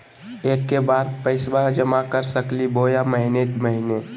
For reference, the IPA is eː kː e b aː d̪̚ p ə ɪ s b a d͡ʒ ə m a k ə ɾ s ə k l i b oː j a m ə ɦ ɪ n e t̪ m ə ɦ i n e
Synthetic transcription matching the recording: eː kː e b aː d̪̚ p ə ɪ s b a d͡ʒ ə m a k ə ɾ s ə k l i b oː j a m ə ɦ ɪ n e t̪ m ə ɦ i n e